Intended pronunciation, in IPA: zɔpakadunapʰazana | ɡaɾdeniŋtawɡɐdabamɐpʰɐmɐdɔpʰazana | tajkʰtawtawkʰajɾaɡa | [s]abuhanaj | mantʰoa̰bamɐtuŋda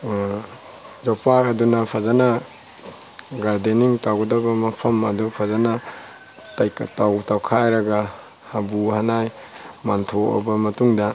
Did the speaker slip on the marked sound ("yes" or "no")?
yes